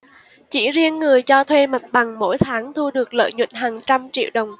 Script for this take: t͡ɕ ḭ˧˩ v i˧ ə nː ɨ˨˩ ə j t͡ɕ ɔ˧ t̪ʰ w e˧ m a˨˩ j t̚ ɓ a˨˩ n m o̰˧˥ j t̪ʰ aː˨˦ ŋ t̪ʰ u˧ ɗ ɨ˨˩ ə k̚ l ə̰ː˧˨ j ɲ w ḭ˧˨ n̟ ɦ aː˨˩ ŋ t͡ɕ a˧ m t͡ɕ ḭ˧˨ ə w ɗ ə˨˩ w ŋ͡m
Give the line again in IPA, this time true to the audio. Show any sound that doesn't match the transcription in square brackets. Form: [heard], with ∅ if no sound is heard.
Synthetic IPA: t͡ɕ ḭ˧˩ [z] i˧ ə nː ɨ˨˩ ə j t͡ɕ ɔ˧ t̪ʰ w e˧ m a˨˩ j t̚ ɓ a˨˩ [ŋ] m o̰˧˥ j t̪ʰ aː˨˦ ŋ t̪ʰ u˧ ɗ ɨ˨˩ ə k̚ l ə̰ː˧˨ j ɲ w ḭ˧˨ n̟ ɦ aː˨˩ ŋ t͡ɕ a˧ m t͡ɕ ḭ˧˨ ə w ɗ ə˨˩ w ŋ͡m